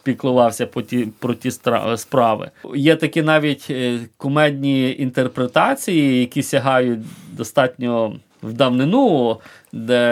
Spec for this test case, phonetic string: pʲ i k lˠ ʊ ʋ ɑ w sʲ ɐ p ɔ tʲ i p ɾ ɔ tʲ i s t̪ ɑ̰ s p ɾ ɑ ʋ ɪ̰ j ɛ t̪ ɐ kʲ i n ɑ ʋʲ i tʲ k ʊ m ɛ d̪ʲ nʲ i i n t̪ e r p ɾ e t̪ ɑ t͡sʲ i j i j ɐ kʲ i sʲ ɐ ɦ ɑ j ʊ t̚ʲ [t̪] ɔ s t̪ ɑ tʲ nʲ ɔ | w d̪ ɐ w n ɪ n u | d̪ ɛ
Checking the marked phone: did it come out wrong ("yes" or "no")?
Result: yes